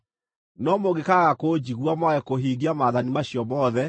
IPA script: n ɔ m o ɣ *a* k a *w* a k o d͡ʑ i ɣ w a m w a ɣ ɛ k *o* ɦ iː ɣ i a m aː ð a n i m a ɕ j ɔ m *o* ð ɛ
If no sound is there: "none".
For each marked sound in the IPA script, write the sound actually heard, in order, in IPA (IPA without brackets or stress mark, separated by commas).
e, ɣ, o, ɔ